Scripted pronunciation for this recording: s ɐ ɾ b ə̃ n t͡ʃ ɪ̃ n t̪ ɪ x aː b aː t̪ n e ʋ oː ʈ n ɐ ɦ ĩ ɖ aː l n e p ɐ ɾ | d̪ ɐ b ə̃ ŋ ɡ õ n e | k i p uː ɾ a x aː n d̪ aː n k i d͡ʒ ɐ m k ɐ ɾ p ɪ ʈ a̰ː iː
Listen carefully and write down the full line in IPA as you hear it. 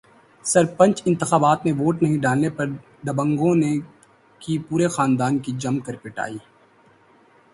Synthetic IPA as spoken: s ɐ ɾ p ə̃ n t͡ʃ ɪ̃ n t̪ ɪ x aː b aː t̪ n e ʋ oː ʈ n ɐ ɦ ĩ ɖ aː l n e p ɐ ɾ | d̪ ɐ b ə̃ ŋ ɡ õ n e | k i p uː ɾ e x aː n d̪ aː n k i d͡ʒ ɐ m k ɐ ɾ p ɪ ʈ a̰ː iː